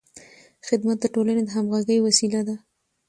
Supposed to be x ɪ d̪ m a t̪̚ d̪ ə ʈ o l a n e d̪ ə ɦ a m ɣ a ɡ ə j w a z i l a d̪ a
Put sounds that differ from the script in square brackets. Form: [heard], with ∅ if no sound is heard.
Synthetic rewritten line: x ɪ d̪ m a t̪̚ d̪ ə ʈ o l a n e d̪ ə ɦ a m ɣ a ɡ ə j w a [s] i l a d̪ a